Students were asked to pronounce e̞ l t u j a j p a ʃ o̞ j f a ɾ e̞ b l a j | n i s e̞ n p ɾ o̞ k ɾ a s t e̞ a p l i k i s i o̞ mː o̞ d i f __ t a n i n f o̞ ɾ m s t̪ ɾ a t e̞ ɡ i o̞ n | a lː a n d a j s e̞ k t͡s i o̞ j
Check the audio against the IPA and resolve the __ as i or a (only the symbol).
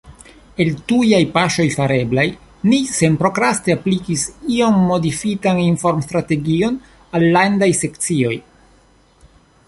i